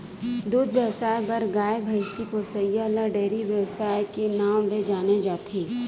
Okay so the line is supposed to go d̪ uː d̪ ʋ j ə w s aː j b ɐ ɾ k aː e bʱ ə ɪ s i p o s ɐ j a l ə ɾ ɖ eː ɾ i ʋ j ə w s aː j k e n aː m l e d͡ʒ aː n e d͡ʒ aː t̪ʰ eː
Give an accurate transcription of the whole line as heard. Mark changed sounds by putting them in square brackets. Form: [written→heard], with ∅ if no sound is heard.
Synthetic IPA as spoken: d̪ uː d̪ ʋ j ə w s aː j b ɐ ɾ [k→ɡ] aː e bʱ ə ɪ s i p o s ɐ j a l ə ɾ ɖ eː ɾ i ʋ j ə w s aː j k e n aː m l e d͡ʒ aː n e d͡ʒ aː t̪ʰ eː